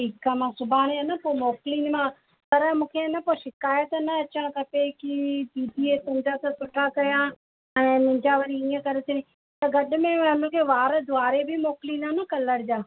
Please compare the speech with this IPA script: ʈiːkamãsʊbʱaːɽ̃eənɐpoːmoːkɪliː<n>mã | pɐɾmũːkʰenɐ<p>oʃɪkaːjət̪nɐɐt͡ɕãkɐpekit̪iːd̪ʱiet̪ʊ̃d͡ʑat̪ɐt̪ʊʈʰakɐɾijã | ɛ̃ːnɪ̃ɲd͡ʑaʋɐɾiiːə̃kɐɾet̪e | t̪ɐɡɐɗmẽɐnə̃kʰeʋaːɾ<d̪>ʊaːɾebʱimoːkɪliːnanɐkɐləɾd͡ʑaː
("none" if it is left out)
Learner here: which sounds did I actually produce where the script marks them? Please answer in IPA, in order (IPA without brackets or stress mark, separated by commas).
n, p, d̪